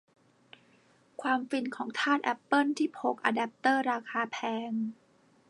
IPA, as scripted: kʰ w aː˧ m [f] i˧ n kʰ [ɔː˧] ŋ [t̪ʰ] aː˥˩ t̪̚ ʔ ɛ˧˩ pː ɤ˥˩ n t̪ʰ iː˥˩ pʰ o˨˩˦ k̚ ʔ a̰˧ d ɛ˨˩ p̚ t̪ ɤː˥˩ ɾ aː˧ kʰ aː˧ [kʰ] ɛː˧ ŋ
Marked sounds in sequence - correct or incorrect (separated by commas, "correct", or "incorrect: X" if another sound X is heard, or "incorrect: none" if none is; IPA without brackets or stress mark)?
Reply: correct, incorrect: ɔː˩˦, correct, incorrect: pʰ